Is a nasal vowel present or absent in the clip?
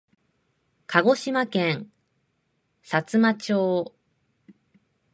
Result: present